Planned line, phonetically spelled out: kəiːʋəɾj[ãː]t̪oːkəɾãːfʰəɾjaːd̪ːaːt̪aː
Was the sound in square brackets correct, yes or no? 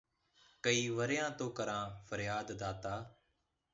yes